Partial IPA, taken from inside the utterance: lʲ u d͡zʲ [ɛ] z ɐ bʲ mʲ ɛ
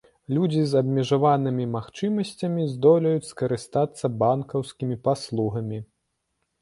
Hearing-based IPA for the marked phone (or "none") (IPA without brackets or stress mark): i